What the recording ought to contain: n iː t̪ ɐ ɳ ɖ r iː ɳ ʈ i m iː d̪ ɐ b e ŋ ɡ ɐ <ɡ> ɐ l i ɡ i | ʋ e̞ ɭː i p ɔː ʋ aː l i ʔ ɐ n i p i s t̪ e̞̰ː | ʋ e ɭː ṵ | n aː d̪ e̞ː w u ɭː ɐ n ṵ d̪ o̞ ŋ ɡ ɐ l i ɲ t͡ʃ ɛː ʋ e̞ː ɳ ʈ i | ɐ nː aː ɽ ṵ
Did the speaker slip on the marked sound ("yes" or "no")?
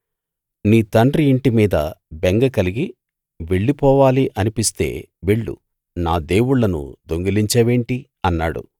yes